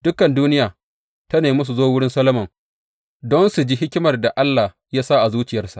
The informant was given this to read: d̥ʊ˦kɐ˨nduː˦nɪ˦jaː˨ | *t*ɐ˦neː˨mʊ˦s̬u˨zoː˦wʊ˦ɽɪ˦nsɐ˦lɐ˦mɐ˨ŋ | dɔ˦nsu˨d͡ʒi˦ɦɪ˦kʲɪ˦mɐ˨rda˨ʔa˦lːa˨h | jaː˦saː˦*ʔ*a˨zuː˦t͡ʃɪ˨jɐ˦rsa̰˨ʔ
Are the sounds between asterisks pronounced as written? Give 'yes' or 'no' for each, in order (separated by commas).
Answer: yes, yes